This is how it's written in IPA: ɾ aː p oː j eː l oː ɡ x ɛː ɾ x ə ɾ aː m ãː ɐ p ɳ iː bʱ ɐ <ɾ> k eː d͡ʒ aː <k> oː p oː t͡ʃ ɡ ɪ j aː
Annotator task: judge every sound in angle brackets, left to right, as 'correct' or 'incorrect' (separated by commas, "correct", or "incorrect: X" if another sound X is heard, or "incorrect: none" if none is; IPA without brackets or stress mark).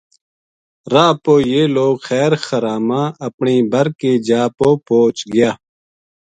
correct, incorrect: p